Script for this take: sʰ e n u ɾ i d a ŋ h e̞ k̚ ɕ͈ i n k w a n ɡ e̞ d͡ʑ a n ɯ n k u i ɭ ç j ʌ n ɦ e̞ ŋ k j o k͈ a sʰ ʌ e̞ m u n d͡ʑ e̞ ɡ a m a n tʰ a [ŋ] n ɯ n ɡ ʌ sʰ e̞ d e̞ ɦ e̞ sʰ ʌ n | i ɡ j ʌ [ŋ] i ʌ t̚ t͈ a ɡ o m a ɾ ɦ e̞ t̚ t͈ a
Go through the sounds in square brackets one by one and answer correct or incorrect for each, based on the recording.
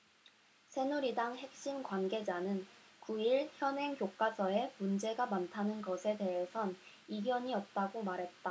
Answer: incorrect: none, incorrect: ɲ

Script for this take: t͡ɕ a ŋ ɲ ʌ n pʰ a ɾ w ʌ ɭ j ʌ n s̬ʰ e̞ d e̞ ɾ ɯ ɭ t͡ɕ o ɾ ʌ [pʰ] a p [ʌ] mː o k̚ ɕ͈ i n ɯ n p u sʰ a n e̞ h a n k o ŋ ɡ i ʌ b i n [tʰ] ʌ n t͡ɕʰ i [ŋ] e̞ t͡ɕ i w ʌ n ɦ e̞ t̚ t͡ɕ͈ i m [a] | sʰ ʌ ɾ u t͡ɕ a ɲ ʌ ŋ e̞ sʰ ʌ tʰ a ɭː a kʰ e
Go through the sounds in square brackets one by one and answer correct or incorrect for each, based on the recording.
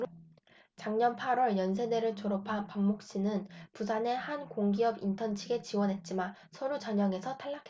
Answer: correct, incorrect: a, correct, incorrect: ɡ, correct

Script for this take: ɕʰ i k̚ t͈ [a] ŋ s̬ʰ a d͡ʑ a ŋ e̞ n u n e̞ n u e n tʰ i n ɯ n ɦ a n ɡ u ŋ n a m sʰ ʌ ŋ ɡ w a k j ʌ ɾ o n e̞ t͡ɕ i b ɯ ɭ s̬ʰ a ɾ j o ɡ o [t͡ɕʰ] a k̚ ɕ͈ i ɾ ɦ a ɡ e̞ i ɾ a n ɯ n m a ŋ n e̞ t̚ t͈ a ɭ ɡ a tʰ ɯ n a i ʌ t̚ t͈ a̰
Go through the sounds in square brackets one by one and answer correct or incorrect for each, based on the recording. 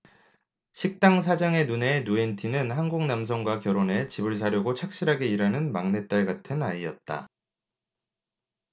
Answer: correct, correct

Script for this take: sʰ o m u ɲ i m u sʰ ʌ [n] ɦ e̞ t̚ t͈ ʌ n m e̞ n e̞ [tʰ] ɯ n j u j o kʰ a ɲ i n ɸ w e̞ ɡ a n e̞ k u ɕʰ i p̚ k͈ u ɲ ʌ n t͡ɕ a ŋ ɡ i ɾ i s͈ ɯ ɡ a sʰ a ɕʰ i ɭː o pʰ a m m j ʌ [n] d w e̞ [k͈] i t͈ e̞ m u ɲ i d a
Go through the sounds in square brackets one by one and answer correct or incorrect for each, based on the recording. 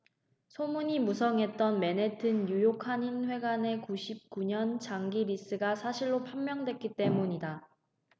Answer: incorrect: ŋ, correct, incorrect: ŋ, correct

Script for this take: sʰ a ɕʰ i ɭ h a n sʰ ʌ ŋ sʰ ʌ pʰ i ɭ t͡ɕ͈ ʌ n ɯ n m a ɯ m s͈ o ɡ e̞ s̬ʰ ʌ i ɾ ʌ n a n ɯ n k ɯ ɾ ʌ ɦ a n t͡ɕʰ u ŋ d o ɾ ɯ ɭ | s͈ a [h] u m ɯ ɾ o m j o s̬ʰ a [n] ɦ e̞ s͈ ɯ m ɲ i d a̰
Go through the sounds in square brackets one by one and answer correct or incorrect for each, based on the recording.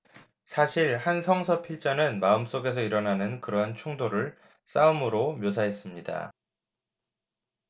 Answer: incorrect: none, incorrect: none

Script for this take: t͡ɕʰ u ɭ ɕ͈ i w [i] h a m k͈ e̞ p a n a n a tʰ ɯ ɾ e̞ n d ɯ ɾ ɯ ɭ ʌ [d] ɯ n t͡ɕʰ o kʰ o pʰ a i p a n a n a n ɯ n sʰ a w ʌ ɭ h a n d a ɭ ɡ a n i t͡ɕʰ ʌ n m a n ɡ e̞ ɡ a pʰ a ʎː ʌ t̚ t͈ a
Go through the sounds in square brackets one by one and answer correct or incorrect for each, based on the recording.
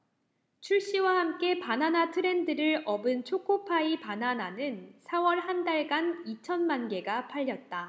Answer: incorrect: a, incorrect: b

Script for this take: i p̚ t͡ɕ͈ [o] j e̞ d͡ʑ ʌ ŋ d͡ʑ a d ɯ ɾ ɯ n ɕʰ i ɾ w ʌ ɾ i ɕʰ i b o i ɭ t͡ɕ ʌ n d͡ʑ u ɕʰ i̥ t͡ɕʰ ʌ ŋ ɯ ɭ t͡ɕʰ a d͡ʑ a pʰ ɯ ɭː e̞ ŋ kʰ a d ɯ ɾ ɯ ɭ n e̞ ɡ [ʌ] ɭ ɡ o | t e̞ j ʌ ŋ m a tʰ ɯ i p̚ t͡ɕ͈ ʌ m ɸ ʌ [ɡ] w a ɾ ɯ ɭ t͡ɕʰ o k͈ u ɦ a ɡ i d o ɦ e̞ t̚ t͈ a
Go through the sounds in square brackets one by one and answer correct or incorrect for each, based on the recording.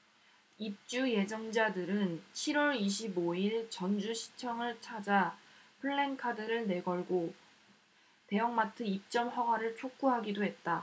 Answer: incorrect: u, correct, correct

